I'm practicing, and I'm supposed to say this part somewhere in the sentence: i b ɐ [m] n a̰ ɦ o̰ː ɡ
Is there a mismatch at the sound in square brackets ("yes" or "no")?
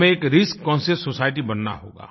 yes